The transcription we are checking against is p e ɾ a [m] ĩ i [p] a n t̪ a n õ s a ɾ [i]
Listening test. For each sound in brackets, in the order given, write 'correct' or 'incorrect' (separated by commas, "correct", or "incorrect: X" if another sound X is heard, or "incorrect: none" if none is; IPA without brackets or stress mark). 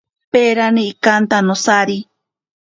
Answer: incorrect: n, incorrect: k, correct